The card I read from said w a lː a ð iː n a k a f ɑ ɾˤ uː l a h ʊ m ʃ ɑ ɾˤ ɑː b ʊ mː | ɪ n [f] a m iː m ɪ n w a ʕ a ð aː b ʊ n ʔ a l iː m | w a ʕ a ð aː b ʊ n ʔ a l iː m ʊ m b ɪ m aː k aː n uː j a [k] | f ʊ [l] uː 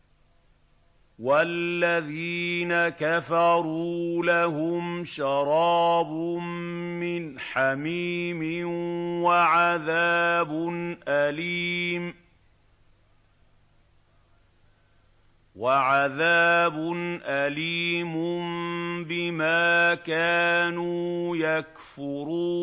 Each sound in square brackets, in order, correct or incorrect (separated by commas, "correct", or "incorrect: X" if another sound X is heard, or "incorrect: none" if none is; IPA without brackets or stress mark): incorrect: ħ, correct, incorrect: ɾ